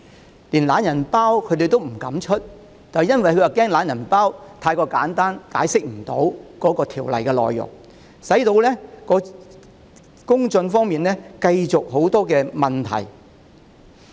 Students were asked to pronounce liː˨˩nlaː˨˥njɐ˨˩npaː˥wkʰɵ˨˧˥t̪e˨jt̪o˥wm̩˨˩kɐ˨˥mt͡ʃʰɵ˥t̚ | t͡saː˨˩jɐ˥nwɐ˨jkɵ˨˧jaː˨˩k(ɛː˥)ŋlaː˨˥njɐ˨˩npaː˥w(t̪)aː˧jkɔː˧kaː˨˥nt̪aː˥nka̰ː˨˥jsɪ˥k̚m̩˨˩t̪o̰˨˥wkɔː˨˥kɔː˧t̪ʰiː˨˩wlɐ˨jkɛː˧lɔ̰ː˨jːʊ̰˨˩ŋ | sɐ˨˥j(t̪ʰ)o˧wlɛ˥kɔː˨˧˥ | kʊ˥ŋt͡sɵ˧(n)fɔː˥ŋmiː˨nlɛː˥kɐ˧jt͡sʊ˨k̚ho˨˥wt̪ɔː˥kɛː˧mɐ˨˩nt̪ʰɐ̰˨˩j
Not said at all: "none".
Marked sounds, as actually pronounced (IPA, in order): ɛː˥, t̪ʰ, t̪, n

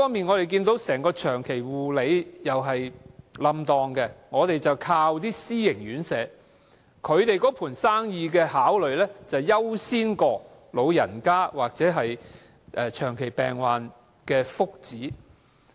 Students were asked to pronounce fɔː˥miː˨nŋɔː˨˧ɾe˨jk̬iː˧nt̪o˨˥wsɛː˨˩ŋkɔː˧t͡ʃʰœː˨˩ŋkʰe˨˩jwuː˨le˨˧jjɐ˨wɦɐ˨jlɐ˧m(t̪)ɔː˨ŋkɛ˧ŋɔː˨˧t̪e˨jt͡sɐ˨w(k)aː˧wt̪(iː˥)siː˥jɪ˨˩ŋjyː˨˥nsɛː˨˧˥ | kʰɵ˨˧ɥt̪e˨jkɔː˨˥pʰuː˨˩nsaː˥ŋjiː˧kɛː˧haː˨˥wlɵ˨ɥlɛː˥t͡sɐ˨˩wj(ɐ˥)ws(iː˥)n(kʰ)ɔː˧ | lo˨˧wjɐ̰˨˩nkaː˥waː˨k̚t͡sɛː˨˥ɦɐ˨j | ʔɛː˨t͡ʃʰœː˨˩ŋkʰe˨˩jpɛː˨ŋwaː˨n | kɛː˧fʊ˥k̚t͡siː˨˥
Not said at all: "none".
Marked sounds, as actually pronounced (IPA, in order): t̪, kʰ, iː˥, ɐ˥, iː˥, k

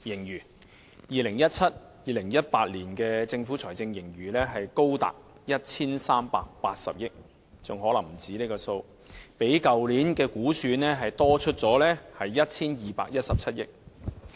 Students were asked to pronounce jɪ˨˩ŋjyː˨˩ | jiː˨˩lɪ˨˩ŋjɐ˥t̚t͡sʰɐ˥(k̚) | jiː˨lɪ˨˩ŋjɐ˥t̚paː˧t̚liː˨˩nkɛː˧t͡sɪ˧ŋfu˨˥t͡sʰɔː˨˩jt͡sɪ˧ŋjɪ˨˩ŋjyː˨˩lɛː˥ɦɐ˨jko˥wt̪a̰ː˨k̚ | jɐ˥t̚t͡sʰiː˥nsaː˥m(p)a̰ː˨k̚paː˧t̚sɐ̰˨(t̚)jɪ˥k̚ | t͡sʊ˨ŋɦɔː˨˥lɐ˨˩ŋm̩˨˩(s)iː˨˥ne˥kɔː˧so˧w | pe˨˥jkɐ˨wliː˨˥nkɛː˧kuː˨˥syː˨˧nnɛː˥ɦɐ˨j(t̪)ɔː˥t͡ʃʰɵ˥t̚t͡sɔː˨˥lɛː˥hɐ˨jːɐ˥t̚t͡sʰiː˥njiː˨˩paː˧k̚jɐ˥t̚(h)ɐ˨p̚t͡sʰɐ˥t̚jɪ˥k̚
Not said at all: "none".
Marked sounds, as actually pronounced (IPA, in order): t̚, p, p̚, t͡s, t̪, s

